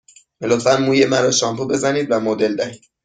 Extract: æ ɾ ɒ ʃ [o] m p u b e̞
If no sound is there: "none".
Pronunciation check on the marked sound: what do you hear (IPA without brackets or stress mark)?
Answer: ɒ